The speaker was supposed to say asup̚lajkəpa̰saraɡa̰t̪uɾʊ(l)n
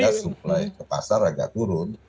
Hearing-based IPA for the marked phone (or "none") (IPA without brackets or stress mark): none